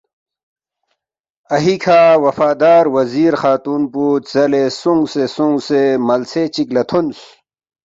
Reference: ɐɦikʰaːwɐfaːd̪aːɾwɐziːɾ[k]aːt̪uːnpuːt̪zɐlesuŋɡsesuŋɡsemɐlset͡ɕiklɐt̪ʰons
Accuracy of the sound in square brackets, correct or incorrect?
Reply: incorrect